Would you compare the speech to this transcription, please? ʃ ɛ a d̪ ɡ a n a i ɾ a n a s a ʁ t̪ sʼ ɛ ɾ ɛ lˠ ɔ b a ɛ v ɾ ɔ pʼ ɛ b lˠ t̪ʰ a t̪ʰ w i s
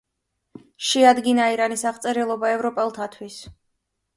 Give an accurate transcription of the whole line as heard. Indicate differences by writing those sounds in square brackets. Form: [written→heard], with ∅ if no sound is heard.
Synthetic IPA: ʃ ɛ a d̪ ɡ [a→i] n a i ɾ a n [a→i] s a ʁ t̪ sʼ ɛ ɾ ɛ lˠ ɔ b a ɛ v ɾ ɔ pʼ ɛ [b→∅] lˠ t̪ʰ a t̪ʰ w i s